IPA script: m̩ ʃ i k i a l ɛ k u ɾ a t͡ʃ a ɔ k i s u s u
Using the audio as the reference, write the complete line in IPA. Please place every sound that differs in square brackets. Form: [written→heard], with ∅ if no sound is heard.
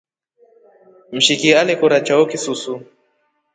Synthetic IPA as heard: m̩ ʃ i k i a l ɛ k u ɾ a t͡ʃ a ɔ k i s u s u